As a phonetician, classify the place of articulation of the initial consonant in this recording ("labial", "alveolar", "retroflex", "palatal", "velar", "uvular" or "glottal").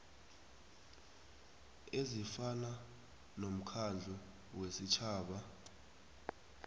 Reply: alveolar